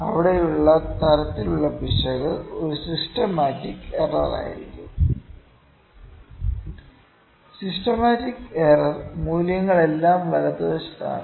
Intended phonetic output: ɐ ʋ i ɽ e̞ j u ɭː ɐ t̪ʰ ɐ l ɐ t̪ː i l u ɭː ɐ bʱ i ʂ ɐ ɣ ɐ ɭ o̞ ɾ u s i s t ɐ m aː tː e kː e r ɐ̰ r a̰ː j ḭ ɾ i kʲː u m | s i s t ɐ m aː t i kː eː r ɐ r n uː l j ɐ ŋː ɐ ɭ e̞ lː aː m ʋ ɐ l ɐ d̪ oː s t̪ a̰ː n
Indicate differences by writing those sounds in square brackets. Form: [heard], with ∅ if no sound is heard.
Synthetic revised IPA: ɐ ʋ i ɽ e̞ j u ɭː ɐ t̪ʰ ɐ [ɾ] ɐ t̪ː i l u ɭː ɐ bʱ i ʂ ɐ ɣ ɐ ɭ o̞ ɾ u s i s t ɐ m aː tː [i] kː e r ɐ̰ r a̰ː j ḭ ɾ i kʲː u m | s i s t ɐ m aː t i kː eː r ɐ r [m] uː l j ɐ ŋː ɐ ɭ e̞ lː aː m ʋ ɐ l ɐ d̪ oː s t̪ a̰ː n